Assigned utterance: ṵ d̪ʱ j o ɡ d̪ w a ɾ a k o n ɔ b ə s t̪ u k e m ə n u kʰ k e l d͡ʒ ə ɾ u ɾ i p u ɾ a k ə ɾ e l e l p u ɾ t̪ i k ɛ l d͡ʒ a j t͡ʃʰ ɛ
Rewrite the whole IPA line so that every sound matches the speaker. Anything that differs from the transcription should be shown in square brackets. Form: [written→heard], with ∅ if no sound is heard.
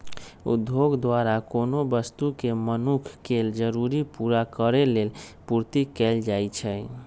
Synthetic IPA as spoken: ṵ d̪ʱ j o ɡ d̪ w a ɾ a k o n [ɔ→o] b ə s t̪ u k e m ə n u kʰ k e l d͡ʒ ə ɾ u ɾ i p u ɾ a k ə ɾ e l e l p u ɾ t̪ i k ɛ l d͡ʒ a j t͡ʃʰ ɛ